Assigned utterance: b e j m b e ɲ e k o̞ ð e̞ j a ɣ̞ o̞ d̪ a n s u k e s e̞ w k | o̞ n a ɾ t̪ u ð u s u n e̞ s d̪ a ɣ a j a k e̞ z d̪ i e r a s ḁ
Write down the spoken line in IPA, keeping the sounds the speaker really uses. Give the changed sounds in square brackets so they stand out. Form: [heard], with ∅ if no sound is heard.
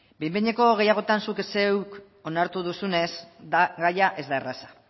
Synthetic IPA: b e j m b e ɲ e k o̞ [ɣ] e̞ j a ɣ̞ o̞ [t̪] a n s u k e s e̞ w k | o̞ n a ɾ t̪ u ð u s u n e̞ s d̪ a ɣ a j a [ʔ] e̞ z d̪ [a] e r a s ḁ